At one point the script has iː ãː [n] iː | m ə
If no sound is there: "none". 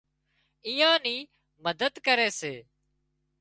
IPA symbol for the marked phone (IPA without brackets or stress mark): n